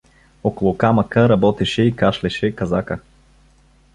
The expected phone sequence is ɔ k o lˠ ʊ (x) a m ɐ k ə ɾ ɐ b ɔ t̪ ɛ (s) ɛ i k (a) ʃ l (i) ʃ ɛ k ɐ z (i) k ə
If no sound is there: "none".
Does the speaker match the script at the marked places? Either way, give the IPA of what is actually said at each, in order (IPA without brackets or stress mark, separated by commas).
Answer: k, ʃ, a, ɛ, a